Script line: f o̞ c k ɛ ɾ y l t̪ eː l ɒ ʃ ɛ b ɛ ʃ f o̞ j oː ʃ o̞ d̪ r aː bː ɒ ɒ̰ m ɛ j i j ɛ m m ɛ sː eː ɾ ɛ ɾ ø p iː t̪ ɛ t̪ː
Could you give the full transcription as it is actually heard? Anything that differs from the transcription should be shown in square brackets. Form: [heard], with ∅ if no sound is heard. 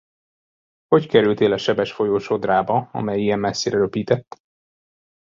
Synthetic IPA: [h] o̞ c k ɛ ɾ y l t̪ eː l ɒ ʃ ɛ b ɛ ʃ f o̞ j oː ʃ o̞ d̪ r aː [b] ɒ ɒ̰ m ɛ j i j ɛ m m ɛ sː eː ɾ ɛ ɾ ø p iː t̪ ɛ t̪ː